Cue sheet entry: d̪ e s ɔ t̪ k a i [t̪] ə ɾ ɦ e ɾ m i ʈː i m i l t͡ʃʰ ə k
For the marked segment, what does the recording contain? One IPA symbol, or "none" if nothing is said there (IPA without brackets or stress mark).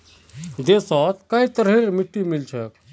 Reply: t̪